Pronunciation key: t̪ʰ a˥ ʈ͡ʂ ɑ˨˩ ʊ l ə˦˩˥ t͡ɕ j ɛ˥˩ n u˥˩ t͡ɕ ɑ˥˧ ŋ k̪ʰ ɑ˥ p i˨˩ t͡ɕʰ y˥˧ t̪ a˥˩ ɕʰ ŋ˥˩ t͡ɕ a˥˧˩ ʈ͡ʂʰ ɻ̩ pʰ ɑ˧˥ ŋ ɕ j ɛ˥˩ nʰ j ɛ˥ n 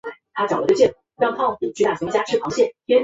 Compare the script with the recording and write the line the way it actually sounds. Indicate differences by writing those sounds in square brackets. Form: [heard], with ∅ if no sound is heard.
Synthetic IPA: t̪ʰ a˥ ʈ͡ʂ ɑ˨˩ ʊ l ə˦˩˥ t͡ɕ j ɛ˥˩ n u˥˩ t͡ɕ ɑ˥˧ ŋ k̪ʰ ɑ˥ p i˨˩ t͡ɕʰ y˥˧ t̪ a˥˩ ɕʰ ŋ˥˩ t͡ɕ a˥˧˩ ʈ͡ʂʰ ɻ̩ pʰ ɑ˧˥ ŋ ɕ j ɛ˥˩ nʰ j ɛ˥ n